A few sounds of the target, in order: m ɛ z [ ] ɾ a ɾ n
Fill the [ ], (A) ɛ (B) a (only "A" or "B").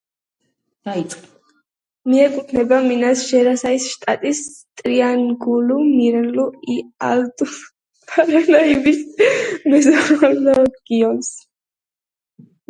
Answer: B